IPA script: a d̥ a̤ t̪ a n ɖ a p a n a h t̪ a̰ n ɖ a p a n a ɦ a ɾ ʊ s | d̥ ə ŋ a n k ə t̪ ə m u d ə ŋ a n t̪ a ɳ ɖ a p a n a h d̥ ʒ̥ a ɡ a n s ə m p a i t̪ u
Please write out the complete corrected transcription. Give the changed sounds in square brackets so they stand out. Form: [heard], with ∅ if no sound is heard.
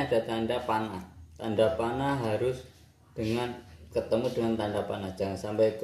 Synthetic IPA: a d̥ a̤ t̪ a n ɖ a p a n a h t̪ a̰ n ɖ a p a n a ɦ a ɾ ʊ s | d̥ ə ŋ a n k ə t̪ ə m u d ə ŋ a n t̪ a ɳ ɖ a p a n a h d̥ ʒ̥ a [ŋ] a n s [a] m p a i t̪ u